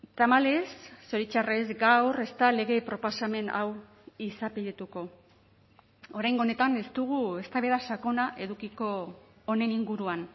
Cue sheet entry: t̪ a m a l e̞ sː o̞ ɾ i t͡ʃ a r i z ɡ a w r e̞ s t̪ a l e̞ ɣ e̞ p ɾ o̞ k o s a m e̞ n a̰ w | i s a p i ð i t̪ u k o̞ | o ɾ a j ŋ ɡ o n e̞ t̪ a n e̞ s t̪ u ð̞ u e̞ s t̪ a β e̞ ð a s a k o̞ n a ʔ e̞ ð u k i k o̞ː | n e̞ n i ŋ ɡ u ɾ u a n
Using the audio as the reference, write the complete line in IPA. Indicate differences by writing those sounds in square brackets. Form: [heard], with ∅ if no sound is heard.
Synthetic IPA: t̪ a m a l e̞ sː o̞ ɾ i t͡ʃ a r [e] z ɡ a w r e̞ s t̪ a l e̞ ɣ e̞ p ɾ o̞ [p] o s a m e̞ n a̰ w | i s a p i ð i t̪ u k o̞ | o ɾ a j ŋ ɡ o n e̞ t̪ a n e̞ s t̪ u [ɣ̞] u e̞ s t̪ a β e̞ ð a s a k o̞ n a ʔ e̞ ð u k i k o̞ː | n e̞ n i ŋ ɡ u ɾ u a n